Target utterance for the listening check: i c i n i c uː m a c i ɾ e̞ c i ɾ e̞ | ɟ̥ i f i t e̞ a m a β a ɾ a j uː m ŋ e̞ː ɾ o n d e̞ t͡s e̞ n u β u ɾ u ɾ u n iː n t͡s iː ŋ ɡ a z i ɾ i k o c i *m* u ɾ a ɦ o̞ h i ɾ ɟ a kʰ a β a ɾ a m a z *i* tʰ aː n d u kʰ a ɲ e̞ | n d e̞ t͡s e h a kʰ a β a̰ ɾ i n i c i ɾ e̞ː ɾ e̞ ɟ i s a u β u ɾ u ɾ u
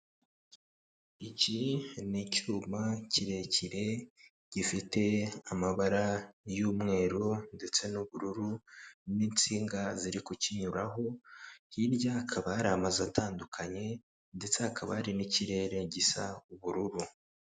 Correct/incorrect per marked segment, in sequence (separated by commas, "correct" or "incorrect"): incorrect, incorrect